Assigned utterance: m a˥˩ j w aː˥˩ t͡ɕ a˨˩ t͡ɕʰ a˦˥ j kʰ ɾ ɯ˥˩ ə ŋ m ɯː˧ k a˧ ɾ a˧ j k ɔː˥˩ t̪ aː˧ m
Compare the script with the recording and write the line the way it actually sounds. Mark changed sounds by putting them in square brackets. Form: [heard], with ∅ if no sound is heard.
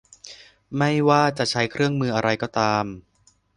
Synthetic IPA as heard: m a˥˩ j w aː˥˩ t͡ɕ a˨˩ t͡ɕʰ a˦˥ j kʰ ɾ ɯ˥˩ ə ŋ m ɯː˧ [ʔ] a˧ ɾ a˧ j k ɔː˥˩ t̪ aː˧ m